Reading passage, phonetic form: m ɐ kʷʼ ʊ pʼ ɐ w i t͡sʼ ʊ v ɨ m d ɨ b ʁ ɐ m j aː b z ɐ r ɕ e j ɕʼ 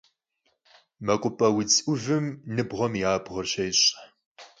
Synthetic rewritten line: m ɐ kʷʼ ʊ pʼ ɐ w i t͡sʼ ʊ v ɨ m n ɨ b ʁ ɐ m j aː b ʁ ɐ r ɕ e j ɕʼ